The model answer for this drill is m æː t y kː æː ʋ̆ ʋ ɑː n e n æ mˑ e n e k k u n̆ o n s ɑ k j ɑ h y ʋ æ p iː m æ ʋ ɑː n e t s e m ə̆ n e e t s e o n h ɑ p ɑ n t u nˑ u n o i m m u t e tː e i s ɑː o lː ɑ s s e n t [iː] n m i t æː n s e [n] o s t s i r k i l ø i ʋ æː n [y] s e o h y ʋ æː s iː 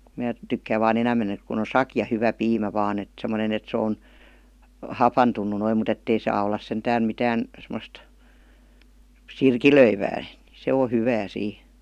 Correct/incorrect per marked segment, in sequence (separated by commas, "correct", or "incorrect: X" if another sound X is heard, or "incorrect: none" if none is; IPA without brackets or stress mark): incorrect: æː, incorrect: m, incorrect: i